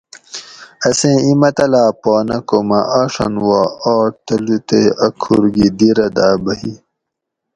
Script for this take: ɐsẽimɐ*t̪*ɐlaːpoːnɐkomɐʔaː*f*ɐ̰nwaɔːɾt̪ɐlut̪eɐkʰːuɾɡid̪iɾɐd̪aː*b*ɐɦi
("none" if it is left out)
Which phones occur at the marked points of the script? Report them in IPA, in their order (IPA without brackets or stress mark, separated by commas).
t̪, ʂ, b